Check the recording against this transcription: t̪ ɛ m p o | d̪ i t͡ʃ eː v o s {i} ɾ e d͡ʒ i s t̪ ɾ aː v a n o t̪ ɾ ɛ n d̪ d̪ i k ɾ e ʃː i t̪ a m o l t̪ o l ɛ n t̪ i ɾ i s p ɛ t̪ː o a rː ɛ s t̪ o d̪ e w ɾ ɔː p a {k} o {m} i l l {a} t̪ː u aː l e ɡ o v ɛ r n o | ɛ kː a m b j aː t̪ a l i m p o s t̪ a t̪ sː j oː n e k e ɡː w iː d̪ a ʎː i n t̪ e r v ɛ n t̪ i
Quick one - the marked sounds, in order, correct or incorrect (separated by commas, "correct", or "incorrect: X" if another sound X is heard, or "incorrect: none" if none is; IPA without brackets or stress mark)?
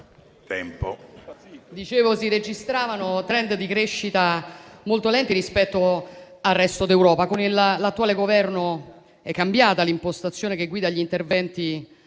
correct, correct, incorrect: n, correct